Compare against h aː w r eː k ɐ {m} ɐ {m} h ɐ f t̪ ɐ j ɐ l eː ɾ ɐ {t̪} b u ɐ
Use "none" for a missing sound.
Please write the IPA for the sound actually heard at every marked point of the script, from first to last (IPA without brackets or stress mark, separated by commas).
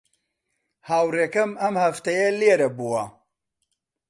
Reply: m, m, none